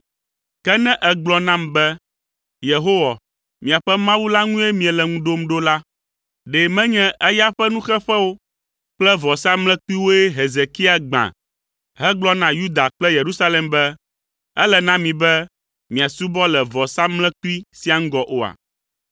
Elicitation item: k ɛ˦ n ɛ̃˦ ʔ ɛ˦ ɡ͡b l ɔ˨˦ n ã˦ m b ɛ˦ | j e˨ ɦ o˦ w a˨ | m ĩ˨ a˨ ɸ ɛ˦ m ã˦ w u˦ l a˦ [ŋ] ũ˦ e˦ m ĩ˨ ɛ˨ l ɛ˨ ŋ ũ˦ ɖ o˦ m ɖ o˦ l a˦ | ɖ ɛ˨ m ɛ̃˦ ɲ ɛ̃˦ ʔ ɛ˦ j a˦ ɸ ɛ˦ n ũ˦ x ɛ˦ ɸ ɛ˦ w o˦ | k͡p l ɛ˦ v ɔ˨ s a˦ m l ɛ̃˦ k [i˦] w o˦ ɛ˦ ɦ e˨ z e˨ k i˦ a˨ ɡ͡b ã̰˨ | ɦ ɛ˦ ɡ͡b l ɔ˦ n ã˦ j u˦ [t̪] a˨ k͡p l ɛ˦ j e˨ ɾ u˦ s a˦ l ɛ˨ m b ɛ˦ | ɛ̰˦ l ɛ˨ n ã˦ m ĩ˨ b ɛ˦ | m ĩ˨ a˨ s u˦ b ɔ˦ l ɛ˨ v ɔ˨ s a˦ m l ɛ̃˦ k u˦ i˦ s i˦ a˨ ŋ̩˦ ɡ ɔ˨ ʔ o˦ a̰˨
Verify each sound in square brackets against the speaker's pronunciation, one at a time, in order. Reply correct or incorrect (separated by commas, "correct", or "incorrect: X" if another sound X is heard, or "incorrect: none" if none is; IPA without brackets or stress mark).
correct, correct, incorrect: d̪